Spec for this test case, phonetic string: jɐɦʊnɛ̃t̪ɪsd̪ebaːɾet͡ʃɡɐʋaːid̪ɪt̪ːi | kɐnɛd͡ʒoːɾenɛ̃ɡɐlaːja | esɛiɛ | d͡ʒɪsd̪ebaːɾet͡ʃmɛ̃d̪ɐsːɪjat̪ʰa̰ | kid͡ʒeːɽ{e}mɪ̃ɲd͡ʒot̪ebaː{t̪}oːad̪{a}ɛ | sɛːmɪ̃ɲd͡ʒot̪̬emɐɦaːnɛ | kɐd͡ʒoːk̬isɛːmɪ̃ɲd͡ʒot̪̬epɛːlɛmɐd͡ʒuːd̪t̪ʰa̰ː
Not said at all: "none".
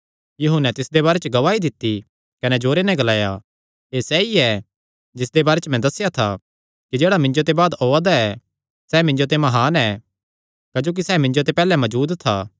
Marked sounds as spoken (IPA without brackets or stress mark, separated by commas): a, d̪, a